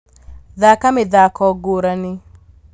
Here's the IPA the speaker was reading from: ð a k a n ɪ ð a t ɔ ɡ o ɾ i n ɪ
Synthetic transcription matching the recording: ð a k a m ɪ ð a k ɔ ɡ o ɾ a n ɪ